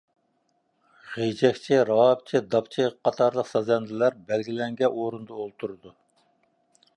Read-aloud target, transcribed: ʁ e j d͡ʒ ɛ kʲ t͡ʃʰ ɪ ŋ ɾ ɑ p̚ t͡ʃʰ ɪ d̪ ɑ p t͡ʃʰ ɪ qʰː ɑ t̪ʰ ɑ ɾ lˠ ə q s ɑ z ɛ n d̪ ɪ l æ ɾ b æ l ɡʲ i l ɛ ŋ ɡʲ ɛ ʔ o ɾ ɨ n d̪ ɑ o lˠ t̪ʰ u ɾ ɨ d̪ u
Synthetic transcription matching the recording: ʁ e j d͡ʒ ɛ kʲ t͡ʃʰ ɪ ɾ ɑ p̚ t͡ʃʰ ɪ d̪ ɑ p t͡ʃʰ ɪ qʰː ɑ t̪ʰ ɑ ɾ lˠ ə q s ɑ z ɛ n d̪ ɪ l æ ɾ b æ l ɡʲ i l ɛ ŋ ɡʲ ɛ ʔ o ɾ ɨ n d̪ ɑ o lˠ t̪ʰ u ɾ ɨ d̪ u